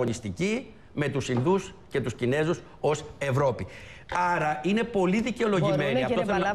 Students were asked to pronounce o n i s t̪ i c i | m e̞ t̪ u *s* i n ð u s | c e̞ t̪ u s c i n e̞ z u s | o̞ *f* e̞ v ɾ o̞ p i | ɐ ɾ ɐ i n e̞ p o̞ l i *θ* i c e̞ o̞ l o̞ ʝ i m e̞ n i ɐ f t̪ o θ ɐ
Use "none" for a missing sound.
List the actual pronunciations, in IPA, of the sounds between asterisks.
s, s, ð

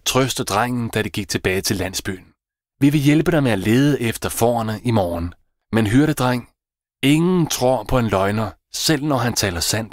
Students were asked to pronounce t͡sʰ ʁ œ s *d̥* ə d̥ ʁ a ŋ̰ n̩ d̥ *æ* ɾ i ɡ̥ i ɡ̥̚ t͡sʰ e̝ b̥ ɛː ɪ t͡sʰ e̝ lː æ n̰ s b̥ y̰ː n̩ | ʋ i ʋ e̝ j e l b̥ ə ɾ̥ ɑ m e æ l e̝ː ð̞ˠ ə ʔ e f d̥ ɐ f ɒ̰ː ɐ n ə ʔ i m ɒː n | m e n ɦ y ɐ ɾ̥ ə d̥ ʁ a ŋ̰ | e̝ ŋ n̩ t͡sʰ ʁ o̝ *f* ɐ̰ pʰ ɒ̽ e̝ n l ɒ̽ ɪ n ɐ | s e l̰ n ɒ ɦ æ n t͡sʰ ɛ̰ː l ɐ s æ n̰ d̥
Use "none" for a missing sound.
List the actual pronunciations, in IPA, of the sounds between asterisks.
d̥, æ, none

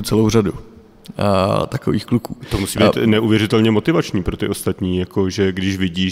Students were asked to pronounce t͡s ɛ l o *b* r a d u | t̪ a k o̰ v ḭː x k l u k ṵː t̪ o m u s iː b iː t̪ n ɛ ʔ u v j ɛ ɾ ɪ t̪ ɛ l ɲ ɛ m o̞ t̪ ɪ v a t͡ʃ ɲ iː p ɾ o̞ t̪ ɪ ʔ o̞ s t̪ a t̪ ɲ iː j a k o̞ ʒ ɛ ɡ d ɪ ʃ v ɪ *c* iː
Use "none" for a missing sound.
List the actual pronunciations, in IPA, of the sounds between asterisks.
w, ɟ

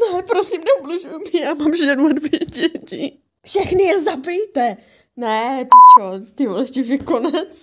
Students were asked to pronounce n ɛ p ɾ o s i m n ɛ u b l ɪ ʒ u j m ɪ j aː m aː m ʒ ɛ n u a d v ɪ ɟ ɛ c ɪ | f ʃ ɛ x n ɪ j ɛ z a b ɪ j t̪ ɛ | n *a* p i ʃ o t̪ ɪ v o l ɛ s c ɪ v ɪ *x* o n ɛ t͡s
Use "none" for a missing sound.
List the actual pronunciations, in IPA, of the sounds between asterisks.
ɛ, k

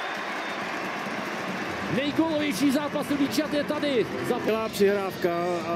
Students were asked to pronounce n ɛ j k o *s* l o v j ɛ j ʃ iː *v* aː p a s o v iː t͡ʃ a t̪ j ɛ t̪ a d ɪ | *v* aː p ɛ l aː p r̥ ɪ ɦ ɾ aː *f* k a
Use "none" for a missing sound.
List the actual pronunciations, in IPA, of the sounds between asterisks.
none, z, z, f

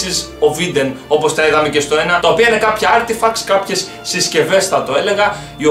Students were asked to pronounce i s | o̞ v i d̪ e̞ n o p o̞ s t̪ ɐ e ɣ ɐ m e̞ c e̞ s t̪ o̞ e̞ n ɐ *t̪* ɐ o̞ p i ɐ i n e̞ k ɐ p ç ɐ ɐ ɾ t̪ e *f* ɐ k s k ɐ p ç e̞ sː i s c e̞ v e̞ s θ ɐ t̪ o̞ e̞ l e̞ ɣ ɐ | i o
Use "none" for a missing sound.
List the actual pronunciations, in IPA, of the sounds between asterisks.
t̪, f

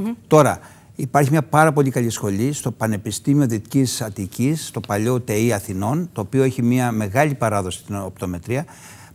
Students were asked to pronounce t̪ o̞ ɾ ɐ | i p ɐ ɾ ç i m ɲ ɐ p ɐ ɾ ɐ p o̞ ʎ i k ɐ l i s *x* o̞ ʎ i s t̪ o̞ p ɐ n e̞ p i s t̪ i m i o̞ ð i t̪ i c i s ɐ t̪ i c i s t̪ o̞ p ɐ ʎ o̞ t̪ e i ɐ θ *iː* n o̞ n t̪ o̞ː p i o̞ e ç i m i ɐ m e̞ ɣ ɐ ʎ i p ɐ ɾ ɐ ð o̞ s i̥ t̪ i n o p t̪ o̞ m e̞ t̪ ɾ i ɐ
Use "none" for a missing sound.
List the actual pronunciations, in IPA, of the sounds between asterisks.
x, i

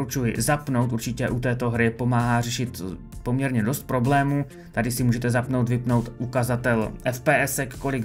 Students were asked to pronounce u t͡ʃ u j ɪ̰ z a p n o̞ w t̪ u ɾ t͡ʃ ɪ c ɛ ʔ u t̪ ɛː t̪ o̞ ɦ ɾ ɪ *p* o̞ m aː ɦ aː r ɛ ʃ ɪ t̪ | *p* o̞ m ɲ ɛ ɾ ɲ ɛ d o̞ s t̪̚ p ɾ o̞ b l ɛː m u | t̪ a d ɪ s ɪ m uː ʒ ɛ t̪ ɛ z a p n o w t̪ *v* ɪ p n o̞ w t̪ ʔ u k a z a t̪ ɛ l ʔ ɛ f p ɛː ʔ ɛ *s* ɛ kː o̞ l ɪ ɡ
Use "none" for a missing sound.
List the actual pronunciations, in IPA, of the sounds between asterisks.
p, p, v, s

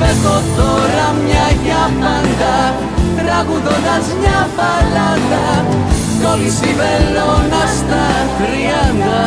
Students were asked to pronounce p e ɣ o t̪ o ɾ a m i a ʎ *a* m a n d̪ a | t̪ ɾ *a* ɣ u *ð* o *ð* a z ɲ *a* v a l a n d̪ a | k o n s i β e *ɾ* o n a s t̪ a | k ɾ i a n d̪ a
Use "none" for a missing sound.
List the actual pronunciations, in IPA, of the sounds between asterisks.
a, a, ð, ð, a, l

